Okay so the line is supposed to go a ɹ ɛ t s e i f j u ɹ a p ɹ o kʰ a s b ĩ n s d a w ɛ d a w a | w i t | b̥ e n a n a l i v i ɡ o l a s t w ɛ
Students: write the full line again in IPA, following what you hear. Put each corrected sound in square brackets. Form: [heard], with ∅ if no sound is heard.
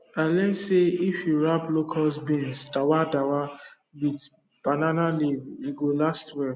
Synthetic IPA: a [l] ɛ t s e i f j u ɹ a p [l] o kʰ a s b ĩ n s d a w [a] d a w a | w i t | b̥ [a] n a n a l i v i ɡ o l a s t w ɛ